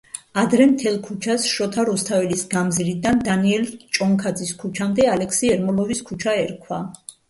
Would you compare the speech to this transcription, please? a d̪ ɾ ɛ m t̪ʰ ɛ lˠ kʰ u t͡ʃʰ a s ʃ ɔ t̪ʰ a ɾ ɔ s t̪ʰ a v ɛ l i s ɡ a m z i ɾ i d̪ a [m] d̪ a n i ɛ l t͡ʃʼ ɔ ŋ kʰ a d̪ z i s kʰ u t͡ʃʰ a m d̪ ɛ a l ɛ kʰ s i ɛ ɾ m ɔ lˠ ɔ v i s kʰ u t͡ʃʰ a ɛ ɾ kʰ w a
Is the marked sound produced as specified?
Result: no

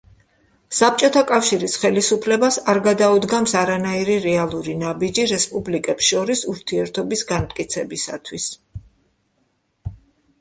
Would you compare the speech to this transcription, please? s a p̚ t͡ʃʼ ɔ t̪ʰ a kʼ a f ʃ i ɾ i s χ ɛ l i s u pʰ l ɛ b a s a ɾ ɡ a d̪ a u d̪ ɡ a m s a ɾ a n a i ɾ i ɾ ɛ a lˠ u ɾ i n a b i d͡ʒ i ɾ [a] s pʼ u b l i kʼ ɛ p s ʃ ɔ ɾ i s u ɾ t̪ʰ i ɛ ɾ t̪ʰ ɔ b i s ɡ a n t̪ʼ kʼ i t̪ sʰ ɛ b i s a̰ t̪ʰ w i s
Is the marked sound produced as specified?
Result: no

